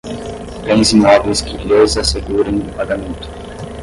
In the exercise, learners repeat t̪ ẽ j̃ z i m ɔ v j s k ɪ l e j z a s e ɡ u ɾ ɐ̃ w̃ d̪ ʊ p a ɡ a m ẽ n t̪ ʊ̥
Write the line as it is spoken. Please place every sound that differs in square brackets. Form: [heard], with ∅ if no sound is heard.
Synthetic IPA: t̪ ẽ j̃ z i m ɔ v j s k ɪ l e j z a s e ɡ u ɾ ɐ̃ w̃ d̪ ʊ p a ɡ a m ẽ n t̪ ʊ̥